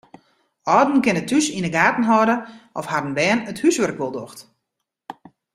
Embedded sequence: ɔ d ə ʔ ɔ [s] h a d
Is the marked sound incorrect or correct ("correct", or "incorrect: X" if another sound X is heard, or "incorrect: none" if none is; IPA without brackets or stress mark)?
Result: incorrect: f